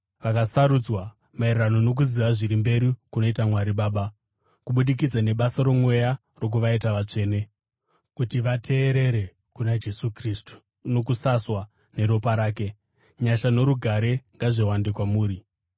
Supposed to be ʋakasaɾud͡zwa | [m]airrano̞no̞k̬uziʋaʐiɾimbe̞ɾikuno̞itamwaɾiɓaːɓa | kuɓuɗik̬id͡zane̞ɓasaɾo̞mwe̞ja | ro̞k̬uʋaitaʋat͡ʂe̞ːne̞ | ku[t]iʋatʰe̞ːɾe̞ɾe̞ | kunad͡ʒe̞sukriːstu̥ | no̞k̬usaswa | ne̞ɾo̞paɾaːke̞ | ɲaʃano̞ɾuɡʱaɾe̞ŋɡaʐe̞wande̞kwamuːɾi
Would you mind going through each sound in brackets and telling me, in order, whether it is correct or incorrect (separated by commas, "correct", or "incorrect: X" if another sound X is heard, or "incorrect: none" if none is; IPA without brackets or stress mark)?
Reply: correct, correct